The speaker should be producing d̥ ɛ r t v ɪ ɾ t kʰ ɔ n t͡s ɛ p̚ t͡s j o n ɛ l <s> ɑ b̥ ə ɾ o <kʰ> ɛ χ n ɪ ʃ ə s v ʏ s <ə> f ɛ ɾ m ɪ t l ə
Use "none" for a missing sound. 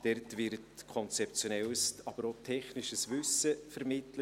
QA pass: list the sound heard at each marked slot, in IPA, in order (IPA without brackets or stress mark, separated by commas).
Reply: s, tʰ, ə